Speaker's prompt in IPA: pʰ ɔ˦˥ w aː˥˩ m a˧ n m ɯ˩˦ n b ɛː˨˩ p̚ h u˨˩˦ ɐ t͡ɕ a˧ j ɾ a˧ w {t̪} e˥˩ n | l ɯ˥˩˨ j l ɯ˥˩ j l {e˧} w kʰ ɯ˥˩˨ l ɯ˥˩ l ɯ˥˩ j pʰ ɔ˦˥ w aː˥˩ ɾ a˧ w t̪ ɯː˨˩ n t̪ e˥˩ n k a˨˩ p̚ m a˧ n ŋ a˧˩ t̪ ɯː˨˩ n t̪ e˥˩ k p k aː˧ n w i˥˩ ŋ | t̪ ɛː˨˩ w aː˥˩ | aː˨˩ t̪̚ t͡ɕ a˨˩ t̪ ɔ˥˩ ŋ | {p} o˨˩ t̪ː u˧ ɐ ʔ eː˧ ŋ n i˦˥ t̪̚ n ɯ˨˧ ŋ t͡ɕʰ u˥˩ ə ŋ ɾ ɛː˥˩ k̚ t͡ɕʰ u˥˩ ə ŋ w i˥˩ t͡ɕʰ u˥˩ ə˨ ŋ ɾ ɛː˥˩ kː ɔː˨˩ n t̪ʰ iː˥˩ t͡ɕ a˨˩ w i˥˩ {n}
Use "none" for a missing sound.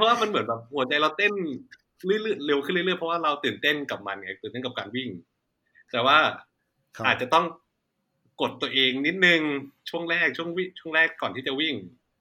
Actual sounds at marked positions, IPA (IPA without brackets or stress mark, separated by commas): t̪, e˧, k, ŋ